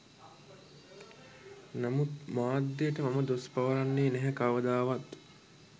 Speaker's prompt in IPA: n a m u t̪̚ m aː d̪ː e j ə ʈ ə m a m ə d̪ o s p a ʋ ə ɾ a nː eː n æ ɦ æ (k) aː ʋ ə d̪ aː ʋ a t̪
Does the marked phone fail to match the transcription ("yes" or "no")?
no